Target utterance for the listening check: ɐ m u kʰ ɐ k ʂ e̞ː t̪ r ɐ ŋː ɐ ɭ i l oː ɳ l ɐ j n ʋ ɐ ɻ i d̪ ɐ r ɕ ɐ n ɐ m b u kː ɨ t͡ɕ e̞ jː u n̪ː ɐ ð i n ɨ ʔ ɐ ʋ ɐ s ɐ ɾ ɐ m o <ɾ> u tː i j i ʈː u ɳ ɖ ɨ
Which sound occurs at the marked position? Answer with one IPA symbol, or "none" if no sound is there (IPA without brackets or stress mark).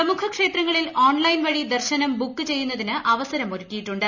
ɾ